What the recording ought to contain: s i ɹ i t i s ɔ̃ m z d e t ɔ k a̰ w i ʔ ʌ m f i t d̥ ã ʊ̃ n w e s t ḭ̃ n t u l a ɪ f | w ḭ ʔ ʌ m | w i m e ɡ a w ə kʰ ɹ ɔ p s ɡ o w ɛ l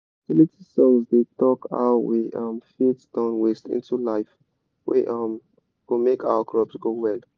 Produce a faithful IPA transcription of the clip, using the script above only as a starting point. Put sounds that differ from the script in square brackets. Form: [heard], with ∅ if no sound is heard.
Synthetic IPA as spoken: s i [l] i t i s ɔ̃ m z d e t ɔ k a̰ w i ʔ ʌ m f i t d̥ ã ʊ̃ n w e s t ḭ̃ n t u l a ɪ f | w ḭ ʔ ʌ m | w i m e [k] a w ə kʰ ɹ ɔ p s ɡ o w ɛ l